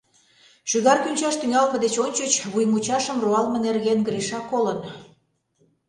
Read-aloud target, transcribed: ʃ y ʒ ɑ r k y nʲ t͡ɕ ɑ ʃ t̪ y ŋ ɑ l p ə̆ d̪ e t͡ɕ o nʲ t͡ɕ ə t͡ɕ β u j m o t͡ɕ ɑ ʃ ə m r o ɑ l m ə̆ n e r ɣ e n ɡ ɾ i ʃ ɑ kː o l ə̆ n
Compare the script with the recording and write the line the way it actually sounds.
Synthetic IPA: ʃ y ɣ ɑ r k y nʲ t͡ɕ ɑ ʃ t̪ y ŋ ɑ l p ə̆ d̪ e t͡ɕ o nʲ t͡ɕ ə t͡ɕ β u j m u t͡ɕ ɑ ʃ ə m r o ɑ l m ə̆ n e r ɣ e n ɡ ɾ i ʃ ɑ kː o l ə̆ n